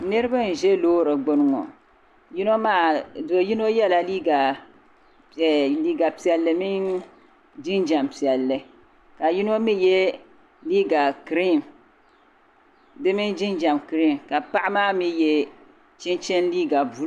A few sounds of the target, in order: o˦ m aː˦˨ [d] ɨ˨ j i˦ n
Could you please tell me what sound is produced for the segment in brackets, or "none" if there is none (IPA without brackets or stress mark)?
d